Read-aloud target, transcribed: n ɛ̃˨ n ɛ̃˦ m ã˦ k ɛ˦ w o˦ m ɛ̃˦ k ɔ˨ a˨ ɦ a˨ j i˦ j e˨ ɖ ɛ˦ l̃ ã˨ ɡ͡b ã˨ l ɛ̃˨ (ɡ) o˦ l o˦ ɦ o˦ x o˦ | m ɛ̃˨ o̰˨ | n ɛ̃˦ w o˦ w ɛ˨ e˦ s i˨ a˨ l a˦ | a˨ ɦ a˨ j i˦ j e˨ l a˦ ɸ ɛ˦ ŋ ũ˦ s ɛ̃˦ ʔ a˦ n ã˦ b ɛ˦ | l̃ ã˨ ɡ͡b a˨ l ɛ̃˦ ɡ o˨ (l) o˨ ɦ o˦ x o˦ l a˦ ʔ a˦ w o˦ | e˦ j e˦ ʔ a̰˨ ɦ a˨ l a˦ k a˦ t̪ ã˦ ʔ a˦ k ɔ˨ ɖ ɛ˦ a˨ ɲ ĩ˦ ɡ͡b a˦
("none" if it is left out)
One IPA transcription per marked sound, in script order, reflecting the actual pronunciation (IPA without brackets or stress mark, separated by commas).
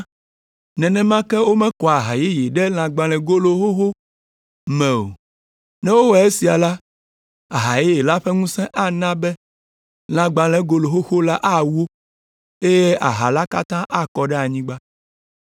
ɡ, l